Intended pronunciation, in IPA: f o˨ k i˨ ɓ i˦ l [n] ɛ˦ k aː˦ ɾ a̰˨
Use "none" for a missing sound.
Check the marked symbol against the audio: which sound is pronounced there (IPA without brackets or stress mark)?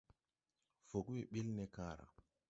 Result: n